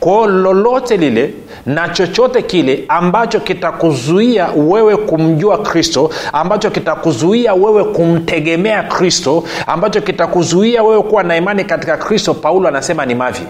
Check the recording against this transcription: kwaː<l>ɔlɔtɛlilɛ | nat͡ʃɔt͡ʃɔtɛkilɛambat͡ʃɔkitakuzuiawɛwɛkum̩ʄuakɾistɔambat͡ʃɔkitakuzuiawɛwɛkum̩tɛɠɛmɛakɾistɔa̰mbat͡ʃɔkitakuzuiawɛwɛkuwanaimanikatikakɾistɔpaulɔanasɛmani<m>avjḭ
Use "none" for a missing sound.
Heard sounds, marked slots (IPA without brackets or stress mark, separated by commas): l, m